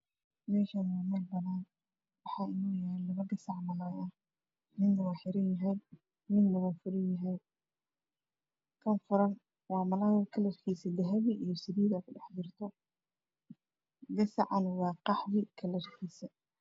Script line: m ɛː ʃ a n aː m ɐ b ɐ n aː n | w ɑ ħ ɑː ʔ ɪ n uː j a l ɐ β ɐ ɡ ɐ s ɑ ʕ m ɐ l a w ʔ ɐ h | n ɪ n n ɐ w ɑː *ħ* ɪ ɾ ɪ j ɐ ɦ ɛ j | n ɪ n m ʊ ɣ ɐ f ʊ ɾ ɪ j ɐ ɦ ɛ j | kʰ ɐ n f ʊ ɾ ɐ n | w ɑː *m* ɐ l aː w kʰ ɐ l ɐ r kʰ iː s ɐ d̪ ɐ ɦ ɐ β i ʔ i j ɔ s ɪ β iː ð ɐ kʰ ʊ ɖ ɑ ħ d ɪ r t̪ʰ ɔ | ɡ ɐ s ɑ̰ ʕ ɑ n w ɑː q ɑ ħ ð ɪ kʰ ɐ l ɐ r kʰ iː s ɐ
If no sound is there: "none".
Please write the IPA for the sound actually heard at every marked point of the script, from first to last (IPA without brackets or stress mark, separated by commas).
ħ, m